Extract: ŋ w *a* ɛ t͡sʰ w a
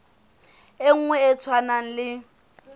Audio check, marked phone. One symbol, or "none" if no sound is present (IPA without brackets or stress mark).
ɛ